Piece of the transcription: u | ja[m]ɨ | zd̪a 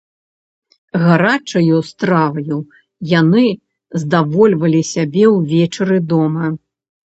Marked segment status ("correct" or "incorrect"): incorrect